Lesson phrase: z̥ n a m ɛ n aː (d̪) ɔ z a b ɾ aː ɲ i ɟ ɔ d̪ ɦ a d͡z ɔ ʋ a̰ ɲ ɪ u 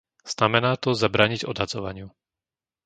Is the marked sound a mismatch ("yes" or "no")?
yes